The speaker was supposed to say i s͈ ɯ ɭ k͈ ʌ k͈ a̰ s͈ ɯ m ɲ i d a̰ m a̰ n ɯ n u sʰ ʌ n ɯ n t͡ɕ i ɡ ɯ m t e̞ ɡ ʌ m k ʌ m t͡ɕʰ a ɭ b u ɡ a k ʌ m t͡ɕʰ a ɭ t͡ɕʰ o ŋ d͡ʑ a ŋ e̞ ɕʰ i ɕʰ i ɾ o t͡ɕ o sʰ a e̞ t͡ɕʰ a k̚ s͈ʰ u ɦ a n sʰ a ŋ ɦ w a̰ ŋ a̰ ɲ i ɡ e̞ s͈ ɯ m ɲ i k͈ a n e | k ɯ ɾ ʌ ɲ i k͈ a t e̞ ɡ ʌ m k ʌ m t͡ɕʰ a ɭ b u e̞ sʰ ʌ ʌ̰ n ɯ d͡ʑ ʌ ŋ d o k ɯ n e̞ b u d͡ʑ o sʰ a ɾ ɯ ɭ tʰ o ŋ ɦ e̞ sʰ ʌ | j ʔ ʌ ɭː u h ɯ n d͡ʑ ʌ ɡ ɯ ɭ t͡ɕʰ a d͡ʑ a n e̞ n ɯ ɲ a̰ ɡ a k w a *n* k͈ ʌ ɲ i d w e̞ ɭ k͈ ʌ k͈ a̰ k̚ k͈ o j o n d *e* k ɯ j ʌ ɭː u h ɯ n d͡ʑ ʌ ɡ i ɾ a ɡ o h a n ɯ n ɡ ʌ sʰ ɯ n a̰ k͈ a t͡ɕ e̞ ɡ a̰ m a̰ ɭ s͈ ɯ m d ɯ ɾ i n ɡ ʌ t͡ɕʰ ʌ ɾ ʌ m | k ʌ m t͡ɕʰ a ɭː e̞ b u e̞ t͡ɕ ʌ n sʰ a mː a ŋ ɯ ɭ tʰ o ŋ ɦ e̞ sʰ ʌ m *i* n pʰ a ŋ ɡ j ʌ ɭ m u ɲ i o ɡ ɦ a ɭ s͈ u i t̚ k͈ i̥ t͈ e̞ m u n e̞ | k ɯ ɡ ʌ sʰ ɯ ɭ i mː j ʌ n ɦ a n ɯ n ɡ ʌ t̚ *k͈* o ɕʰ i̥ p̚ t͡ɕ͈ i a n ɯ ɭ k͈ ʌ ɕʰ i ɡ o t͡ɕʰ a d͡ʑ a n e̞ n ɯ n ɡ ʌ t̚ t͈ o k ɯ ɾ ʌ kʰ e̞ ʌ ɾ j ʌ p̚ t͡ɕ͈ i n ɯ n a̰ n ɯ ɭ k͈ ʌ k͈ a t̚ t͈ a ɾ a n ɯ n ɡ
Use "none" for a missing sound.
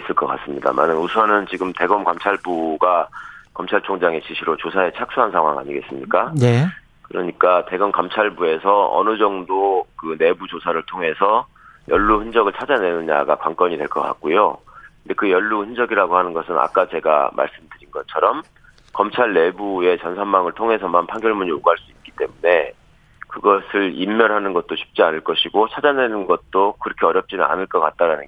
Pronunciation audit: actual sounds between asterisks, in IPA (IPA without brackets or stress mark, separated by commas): ŋ, e, a, t͈